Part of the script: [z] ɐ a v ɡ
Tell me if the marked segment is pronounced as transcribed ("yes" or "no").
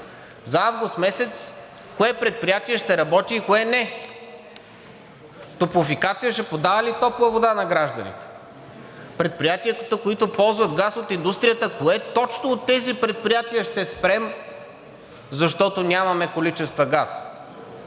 yes